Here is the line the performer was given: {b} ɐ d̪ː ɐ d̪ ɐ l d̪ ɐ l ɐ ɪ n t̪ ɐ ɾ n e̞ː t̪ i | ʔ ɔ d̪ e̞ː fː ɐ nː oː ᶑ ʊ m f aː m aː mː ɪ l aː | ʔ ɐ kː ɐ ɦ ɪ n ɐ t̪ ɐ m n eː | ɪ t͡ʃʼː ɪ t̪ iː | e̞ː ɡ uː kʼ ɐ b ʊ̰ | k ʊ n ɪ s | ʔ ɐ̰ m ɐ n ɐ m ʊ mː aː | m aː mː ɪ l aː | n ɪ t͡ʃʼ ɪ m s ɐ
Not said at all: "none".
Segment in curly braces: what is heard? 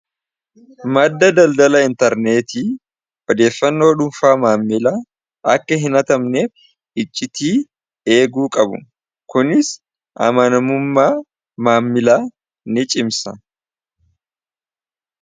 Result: m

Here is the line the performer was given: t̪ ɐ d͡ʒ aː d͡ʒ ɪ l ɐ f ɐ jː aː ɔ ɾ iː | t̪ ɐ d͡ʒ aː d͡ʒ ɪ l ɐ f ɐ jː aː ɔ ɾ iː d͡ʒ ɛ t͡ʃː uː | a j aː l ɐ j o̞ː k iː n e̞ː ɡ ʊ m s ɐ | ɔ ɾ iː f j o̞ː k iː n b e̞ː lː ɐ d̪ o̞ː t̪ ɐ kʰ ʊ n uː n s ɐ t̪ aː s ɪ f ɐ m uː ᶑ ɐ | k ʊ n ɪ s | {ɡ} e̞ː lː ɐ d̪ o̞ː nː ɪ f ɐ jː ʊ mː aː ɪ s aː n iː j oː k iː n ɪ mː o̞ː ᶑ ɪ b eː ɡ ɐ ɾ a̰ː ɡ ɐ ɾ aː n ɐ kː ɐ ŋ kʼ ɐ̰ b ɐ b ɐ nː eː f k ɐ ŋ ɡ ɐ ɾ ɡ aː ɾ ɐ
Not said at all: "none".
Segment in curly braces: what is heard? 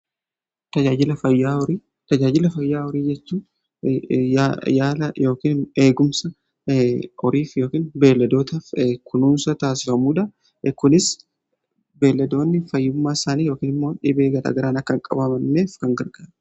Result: b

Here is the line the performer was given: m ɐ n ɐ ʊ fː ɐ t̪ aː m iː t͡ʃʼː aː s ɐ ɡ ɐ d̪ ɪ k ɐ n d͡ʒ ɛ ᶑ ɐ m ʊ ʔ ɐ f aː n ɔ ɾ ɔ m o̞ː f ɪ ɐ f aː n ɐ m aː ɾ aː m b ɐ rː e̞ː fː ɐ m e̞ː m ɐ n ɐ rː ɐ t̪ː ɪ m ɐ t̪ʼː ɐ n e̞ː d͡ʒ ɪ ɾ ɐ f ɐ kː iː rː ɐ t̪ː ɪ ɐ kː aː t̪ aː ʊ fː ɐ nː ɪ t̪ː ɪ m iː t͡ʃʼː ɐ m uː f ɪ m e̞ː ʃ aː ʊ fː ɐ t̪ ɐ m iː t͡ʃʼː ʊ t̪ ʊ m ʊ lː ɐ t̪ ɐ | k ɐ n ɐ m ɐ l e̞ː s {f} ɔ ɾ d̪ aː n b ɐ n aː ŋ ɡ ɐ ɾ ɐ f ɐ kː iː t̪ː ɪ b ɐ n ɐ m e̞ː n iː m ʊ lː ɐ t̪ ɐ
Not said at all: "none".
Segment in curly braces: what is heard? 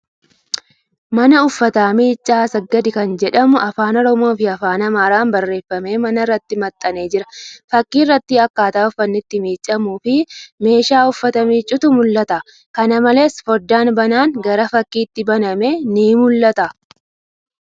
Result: f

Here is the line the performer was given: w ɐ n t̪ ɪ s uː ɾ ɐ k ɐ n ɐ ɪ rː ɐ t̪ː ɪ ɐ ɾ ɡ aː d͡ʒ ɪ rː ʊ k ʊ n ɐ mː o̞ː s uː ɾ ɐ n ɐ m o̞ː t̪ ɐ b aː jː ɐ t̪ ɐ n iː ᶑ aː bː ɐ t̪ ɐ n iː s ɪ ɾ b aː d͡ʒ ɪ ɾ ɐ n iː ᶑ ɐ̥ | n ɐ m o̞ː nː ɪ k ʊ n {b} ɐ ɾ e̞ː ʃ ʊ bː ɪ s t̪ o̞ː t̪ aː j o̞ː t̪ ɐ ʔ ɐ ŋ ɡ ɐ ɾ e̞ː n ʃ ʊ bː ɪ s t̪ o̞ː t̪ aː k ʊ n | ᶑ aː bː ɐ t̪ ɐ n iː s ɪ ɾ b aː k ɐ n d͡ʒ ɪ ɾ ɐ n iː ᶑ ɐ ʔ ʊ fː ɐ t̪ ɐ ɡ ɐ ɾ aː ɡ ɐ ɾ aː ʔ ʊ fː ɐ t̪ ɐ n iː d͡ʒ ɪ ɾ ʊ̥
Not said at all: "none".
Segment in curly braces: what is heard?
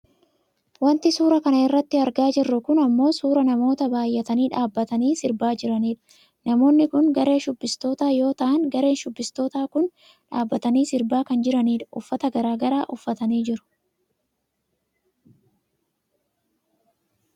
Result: ɡ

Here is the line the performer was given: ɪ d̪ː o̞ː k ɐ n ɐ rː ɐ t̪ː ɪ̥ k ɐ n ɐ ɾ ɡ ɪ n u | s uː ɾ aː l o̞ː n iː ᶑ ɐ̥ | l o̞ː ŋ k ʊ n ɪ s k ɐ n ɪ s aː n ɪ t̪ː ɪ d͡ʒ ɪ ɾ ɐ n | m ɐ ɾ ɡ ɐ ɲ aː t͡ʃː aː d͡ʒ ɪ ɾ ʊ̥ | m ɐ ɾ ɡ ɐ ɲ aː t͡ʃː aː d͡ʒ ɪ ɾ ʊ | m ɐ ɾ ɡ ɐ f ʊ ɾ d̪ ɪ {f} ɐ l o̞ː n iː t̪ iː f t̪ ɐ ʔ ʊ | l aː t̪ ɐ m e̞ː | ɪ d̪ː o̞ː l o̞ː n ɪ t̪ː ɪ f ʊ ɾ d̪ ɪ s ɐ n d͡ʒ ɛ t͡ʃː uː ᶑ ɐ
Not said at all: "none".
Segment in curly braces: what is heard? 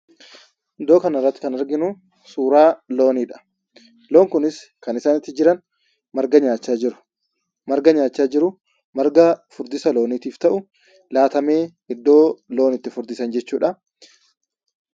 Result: s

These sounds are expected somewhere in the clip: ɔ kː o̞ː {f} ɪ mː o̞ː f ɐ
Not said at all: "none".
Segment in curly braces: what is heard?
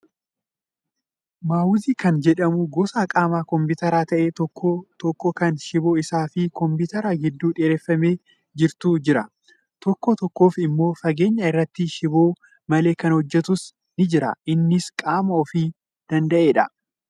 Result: f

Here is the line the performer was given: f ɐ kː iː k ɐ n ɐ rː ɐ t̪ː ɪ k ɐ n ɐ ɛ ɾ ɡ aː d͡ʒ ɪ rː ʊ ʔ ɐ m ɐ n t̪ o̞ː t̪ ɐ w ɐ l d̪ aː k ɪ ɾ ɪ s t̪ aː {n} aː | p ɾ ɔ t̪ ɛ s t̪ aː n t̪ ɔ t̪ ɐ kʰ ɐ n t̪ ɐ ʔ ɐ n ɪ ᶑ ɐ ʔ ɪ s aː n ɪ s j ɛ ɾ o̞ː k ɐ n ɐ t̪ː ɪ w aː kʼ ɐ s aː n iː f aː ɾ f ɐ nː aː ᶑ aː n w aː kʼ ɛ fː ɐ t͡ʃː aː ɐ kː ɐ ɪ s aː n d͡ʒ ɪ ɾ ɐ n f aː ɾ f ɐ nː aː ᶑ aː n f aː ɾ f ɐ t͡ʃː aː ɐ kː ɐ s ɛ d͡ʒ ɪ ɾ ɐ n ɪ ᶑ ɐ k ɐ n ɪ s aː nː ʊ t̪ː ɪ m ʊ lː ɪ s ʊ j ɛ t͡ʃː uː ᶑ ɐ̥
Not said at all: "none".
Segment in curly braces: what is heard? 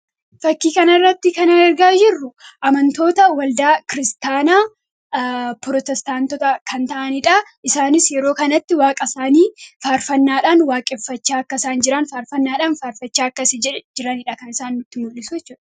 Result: n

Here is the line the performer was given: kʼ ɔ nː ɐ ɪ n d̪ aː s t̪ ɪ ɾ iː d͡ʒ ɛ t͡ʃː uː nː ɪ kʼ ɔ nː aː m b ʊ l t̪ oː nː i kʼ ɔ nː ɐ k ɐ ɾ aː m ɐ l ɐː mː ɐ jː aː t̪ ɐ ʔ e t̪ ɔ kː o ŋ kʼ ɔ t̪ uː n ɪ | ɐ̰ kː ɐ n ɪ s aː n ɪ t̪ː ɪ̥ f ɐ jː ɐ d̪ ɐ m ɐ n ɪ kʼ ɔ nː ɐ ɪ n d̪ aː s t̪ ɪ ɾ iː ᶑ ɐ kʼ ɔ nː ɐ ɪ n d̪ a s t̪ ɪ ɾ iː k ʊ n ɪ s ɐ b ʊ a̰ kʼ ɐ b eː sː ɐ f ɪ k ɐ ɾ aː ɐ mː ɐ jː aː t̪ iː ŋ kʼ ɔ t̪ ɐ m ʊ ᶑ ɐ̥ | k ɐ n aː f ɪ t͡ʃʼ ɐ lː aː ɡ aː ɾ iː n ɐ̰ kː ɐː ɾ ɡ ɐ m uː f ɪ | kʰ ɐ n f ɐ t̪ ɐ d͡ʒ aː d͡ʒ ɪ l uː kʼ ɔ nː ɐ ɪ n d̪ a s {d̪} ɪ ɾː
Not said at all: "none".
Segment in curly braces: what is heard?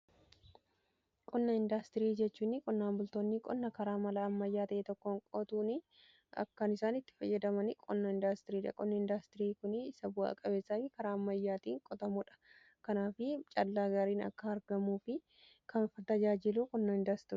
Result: t̪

